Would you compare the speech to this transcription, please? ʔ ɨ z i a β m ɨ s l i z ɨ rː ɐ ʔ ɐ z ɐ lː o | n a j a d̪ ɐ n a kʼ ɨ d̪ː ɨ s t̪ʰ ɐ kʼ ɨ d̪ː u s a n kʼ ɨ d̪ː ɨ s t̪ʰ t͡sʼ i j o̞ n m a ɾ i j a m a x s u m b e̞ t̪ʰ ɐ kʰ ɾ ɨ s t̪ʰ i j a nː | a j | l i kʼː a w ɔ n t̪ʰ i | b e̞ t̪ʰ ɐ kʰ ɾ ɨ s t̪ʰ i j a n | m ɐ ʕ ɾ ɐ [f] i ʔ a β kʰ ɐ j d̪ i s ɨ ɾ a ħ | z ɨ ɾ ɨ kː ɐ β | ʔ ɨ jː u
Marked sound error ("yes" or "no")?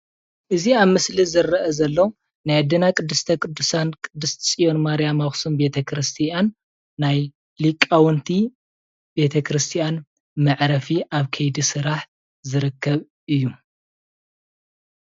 no